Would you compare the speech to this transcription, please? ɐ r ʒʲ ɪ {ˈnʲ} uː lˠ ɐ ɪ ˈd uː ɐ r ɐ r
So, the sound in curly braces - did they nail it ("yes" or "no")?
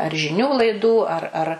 yes